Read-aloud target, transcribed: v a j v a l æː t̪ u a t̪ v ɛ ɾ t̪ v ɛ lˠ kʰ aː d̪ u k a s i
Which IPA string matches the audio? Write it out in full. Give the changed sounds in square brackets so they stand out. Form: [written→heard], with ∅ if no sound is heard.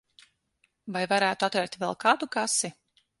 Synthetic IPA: v a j v a [l→ɾ] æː t̪ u a t̪ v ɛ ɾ t̪ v ɛ lˠ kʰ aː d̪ u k a s i